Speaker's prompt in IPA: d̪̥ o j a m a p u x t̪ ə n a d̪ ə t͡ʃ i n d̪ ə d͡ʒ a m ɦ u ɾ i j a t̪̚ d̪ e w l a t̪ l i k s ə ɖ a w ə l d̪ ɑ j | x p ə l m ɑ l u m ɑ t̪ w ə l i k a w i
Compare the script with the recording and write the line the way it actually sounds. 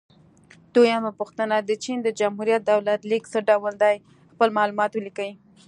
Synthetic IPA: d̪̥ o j a m a p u x t̪ ə n a d̪ ə t͡ʃ i n d̪ ə d͡ʒ a m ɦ u ɾ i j a t̪̚ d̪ a w l a t̪ l i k s ə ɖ a w ə l d̪ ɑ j | x p ə l m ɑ l u m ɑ t̪ w ə l i k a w i